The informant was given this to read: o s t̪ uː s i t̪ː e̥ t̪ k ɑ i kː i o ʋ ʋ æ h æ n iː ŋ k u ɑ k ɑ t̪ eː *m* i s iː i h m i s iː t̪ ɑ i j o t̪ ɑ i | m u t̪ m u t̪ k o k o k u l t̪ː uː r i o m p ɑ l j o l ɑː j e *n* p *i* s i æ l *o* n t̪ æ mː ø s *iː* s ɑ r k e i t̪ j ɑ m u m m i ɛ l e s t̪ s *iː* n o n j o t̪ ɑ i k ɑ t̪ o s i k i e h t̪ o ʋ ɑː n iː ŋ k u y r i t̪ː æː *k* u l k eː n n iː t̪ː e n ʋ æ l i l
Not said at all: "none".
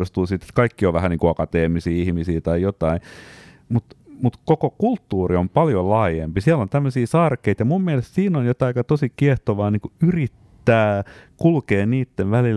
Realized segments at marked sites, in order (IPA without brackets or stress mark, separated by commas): m, m, i, o, iː, iː, k